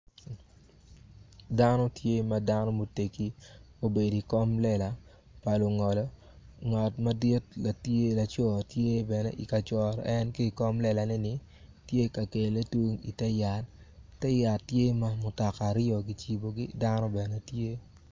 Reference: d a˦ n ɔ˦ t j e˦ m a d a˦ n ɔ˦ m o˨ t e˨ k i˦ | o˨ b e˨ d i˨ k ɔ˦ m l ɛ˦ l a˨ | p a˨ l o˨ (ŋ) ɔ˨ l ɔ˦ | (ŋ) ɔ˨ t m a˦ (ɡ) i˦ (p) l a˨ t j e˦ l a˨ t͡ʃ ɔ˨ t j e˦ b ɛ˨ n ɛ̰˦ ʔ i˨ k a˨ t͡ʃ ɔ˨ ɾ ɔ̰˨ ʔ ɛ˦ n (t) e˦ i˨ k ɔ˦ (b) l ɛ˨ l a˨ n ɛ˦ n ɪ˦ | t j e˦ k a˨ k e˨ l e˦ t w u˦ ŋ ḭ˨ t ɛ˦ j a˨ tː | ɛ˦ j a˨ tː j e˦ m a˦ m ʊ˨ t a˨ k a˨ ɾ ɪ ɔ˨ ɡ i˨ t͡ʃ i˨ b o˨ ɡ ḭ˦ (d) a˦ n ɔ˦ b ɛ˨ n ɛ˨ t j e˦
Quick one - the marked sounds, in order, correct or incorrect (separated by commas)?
correct, correct, incorrect, incorrect, incorrect, incorrect, correct